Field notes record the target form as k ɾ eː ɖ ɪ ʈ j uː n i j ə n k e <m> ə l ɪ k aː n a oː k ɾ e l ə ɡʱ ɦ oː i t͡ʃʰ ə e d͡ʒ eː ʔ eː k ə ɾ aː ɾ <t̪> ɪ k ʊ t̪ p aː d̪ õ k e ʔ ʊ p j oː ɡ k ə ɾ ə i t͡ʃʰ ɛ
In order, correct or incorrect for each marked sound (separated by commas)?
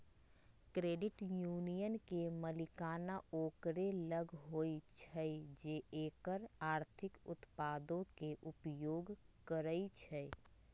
correct, incorrect